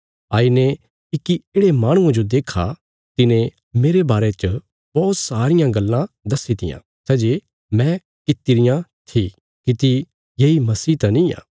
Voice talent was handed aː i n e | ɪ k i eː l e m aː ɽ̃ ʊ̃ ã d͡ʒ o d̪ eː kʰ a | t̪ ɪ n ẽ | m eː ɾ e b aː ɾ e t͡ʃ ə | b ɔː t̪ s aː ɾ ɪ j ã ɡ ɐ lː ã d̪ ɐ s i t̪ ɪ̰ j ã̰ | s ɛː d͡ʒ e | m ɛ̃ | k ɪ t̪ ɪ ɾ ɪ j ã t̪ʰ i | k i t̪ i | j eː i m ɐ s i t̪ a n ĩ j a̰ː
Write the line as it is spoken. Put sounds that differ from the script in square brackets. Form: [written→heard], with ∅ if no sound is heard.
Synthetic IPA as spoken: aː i n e | ɪ k i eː [l→ɽ] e m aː ɽ̃ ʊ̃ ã d͡ʒ o d̪ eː kʰ a | t̪ ɪ n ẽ | m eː ɾ e b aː ɾ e t͡ʃ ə | b ɔː t̪ s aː ɾ ɪ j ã ɡ ɐ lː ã d̪ ɐ s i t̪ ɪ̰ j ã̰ | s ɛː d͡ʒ e | m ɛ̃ | k ɪ t̪ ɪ ɾ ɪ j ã t̪ʰ i | k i t̪ i | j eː i m ɐ s [i→iː] t̪ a n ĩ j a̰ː